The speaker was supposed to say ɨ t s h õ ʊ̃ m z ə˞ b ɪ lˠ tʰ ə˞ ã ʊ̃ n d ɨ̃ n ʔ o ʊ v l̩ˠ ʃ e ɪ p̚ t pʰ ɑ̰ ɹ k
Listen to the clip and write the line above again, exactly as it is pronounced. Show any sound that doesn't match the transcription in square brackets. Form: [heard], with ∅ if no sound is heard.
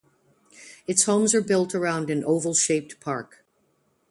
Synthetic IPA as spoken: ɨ t s h õ ʊ̃ m z ə˞ b ɪ lˠ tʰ ə˞ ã ʊ̃ n d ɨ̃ n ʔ o ʊ v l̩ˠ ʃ e ɪ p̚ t pʰ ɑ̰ ɹ k